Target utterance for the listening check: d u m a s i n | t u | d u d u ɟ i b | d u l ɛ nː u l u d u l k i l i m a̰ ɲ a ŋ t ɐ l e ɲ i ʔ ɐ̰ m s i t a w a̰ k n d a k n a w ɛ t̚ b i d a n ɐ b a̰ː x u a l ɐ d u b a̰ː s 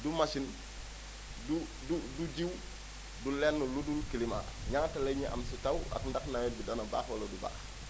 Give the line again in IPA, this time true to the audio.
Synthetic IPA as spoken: d u m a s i n | d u | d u d u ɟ i w | d u l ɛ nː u l u d u l k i l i m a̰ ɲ a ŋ t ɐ l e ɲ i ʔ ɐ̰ m s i t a w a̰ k n d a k n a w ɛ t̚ b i d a n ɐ b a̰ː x w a l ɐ d u b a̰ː x

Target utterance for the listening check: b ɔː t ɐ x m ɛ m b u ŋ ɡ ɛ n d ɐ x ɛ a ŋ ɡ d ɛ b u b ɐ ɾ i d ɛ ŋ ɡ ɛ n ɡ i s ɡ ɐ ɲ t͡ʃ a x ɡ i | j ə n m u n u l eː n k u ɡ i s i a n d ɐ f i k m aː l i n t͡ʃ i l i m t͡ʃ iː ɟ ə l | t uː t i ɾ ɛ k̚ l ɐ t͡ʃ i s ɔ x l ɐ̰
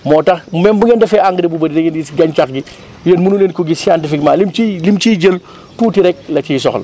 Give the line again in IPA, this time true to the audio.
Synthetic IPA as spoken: m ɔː t ɐ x m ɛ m b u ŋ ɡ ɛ n d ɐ f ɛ a ŋ ɡ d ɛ b u b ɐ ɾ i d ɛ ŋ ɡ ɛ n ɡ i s ɡ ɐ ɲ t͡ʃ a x ɡ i | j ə n m u n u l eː n k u ɡ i s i a n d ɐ f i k m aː l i m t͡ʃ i l i m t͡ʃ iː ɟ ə l | t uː t i ɾ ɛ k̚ l ɐ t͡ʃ i s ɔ x l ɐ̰

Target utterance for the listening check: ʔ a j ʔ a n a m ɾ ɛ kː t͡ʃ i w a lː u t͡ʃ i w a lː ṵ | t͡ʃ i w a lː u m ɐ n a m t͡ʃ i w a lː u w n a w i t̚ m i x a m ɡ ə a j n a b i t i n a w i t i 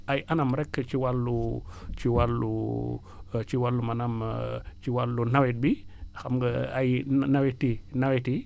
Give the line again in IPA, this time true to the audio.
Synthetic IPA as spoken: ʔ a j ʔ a n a m ɾ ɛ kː t͡ʃ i w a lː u t͡ʃ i w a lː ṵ | t͡ʃ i w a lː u m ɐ n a m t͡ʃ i w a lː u n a w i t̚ b i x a m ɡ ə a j n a w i t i n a w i t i

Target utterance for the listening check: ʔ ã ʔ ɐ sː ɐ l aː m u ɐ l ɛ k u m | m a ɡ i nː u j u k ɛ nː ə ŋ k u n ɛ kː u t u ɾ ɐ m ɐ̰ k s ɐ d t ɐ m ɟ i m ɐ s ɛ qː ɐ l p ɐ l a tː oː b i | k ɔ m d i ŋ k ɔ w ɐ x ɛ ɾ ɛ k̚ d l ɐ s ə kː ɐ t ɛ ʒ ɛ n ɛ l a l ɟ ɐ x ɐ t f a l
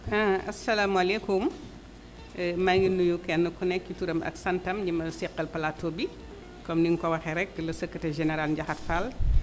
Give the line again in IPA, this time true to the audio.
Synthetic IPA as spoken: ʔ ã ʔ ɐ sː ɐ l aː m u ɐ l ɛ k u m | m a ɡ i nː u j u k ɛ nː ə k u n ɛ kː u t u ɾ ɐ m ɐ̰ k s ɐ n t ɐ m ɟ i m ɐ s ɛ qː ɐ l p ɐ l a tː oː b i | k ɔ m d i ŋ k ɔ w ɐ x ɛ ɾ ɛ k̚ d l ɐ s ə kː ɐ t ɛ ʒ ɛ n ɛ ɾ a l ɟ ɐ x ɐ t f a l

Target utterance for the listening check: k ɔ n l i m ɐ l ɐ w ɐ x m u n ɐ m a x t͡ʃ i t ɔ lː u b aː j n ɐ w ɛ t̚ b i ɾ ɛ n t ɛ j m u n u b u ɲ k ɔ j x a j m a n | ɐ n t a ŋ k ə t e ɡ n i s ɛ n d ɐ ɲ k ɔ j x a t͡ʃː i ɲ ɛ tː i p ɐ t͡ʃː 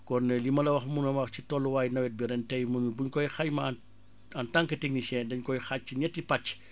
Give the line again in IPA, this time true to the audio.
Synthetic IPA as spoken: k ɔ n l i m ɐ l ɐ w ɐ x m u n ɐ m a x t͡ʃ i t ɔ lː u w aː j n ɐ w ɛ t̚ b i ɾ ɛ n t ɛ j m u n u b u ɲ k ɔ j x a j m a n | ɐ n t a ŋ k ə t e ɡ n i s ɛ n d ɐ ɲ k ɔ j x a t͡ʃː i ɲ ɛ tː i p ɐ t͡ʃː

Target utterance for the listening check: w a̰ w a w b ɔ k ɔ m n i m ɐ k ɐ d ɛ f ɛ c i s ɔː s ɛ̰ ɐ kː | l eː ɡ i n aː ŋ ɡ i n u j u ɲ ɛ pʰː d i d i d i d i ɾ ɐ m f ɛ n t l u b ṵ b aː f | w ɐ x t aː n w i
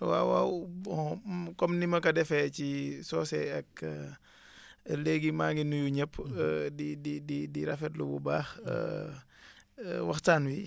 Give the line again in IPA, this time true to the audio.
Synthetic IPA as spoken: w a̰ w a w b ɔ k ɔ m n i m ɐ k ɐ d ɛ f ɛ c i s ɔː s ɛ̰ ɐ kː | l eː ɡ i m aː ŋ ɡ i n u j u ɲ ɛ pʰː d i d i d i d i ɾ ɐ f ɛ t l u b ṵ b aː x | w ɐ x t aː n w i

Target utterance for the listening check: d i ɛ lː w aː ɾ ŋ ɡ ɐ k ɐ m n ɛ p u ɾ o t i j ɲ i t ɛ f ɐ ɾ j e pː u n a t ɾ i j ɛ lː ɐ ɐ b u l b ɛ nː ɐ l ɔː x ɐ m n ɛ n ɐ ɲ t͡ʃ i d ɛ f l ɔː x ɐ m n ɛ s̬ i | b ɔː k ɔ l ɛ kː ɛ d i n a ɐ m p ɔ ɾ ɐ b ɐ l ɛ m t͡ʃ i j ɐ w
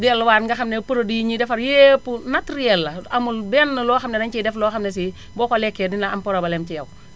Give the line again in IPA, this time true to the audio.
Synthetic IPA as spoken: d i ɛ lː w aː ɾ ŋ ɡ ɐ x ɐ m n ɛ p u ɾ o d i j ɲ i d ɛ f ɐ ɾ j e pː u n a t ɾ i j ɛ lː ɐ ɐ m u l b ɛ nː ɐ l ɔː x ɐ m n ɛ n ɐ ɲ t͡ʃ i d ɛ f l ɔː x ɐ m n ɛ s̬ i | b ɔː k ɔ l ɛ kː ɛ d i n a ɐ m p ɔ ɾ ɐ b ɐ l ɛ m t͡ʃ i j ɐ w

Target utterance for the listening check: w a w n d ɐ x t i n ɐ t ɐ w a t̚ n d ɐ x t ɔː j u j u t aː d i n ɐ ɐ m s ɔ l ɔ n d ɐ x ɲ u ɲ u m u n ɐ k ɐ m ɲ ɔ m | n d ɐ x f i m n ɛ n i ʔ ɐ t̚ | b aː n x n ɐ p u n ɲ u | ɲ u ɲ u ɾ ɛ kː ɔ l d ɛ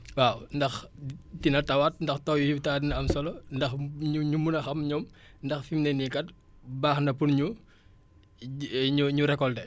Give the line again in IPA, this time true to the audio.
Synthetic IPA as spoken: w a w n d ɐ x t i n ɐ t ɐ w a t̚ n d ɐ x t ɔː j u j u t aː d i n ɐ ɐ m s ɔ l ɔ n d ɐ x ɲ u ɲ u m u n ɐ x ɐ m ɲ ɔ m | n d ɐ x f i m n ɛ n i k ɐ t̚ | b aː x n ɐ p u n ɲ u | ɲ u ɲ u ɾ ɛ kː ɔ l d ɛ

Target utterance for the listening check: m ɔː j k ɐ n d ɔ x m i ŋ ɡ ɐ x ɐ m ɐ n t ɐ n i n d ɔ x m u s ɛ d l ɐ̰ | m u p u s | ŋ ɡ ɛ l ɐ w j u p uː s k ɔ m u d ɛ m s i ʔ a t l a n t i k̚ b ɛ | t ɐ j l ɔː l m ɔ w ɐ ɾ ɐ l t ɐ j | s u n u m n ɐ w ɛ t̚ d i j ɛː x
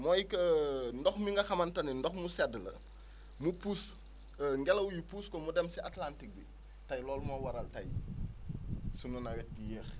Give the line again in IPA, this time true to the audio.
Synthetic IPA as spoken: m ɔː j k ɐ n d ɔ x m i ŋ ɡ ɐ x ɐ m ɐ n t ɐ n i n d ɔ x m u s ɛ d l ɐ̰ | m u p u s | ŋ ɡ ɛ l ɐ w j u p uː s k ɔ m u d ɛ m s i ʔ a t l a n t i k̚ b i | t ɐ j l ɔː l m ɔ w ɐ ɾ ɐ l t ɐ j | s u n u n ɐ w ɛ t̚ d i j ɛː x

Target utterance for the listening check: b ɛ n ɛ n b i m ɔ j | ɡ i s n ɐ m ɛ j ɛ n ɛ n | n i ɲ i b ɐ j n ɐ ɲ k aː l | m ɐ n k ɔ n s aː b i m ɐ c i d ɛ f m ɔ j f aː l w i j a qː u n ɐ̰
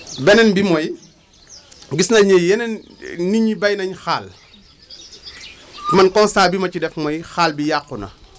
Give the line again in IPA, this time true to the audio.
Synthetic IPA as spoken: b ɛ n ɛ n b i m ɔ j | ɡ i s n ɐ ɲ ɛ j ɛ n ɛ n | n i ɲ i b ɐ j n ɐ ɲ x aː l | m ɐ n k ɔ n s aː b i m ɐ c i d ɛ f m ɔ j x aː l b i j a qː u n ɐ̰

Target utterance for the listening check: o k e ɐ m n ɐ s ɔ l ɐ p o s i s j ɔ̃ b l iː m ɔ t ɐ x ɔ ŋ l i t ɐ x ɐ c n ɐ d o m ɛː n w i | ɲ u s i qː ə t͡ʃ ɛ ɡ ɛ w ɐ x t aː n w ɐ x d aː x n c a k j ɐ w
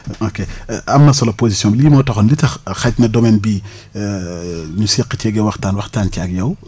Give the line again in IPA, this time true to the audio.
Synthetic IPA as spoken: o k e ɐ m n ɐ s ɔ l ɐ p o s i s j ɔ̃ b l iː m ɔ t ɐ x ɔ n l i t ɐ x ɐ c n ɐ d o m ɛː n b i | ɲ u s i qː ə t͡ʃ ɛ ɡ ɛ w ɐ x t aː n w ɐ x t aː n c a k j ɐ w

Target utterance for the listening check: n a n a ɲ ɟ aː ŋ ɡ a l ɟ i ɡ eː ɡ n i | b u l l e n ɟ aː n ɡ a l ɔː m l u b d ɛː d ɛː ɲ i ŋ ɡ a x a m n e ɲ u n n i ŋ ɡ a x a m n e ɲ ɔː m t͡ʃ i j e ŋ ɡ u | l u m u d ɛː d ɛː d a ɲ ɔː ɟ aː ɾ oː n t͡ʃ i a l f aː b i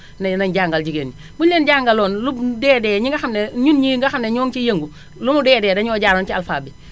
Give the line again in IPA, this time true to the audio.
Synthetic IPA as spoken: n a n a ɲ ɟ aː ŋ ɡ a l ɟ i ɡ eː n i | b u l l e n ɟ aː ŋ ɡ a l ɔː n l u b d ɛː d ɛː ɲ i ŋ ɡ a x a m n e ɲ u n ɲ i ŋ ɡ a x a m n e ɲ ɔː ŋ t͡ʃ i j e ŋ ɡ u | l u m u d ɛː d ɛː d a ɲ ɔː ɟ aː ɾ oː n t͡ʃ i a l f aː b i

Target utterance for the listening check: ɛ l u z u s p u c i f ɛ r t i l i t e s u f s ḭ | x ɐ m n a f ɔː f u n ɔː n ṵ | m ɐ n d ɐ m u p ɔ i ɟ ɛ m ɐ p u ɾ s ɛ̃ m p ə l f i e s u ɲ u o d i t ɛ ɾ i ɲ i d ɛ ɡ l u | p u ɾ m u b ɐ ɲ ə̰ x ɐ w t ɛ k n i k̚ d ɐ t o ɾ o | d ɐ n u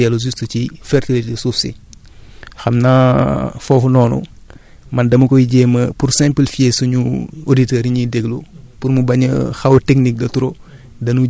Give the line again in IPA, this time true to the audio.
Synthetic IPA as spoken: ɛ l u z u s t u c i f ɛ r t i l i t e s u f s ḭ | x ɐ m n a f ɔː f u n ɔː n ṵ | m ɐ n d ɐ m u k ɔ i ɟ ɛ m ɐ p u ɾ s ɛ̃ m p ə l f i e s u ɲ u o d i t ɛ ɾ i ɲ i d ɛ ɡ l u | p u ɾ m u b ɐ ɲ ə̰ x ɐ w t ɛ k n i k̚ d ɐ t u ɾ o | d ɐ n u

